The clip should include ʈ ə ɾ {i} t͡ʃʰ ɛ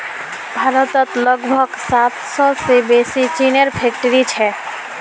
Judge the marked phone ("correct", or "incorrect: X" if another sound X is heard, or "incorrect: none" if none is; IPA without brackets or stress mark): correct